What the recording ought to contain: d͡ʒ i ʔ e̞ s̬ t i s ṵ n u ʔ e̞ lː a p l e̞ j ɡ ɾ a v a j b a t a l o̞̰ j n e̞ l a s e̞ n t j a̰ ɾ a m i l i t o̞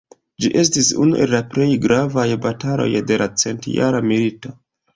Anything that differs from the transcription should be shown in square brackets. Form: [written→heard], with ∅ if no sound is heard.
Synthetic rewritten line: d͡ʒ i ʔ e̞ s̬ t i s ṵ n u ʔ e̞ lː a p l e̞ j ɡ ɾ a v a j b a t a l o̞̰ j [n→d] e̞ l a [s→t͡s] e̞ n t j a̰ ɾ a m i l i t o̞